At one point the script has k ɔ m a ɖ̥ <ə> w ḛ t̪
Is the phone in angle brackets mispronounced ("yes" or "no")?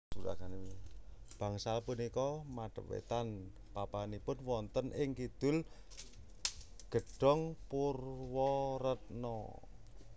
no